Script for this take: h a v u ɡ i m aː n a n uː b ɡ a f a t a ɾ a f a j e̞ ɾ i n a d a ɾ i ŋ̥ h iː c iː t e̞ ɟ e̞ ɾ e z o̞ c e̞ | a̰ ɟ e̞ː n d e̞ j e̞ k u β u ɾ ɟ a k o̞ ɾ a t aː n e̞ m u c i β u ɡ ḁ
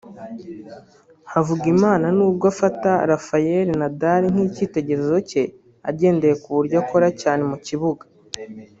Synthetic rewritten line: h a v u ɡ i m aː n a n uː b ɡ a f a t a ɾ a f a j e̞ ɾ i n a d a ɾ i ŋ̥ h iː c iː t e̞ ɟ e̞ ɾ e z o̞ c e̞ | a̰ ɟ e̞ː n d e̞ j e̞ k u β u ɾ ɟ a k o̞ ɾ a c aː n e̞ m u c i β u ɡ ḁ